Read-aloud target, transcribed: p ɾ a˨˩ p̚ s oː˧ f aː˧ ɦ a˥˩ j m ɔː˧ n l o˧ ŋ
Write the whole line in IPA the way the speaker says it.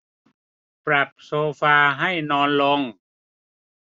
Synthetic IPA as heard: p ɾ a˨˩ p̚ s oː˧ f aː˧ ɦ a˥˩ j n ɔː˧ n l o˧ ŋ